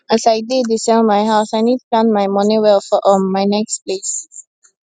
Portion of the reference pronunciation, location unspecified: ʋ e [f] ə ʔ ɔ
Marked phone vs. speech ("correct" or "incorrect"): correct